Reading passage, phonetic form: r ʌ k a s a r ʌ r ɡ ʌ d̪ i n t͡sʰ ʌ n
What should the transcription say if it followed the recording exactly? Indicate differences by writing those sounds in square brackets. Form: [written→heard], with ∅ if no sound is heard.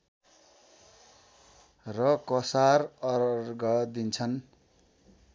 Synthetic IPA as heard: r ʌ k [a→ʌ] s a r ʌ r ɡ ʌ d̪ i n t͡sʰ ʌ n